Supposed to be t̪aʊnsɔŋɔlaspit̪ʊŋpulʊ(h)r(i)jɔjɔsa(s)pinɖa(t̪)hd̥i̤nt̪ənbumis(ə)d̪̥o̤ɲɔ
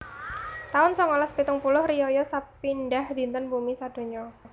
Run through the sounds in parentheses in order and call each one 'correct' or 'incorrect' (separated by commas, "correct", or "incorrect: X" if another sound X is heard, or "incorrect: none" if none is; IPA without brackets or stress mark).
correct, correct, incorrect: none, incorrect: none, incorrect: a